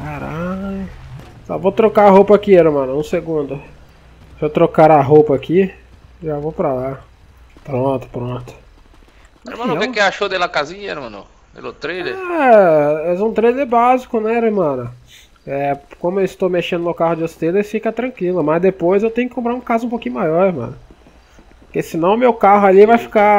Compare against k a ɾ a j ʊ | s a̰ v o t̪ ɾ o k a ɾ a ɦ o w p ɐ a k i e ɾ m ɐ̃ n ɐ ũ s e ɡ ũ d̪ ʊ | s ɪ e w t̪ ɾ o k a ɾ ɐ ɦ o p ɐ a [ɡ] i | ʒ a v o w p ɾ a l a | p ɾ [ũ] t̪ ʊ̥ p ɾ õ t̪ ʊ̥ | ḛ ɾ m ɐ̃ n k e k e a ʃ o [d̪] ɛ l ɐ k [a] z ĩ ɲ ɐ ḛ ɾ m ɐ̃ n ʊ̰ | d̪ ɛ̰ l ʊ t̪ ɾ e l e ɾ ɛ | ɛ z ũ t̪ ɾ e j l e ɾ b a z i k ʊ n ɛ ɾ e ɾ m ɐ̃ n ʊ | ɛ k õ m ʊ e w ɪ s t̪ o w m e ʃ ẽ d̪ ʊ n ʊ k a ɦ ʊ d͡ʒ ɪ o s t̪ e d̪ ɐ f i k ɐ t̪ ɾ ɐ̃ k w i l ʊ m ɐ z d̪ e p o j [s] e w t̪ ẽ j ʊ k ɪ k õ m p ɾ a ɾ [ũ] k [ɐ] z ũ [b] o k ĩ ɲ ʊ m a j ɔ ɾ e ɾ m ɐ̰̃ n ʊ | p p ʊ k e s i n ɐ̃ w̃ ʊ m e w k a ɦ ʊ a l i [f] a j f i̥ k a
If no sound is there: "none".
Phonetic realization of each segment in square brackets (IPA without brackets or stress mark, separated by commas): k, õ, d̪, a, z, ũ, a, p, v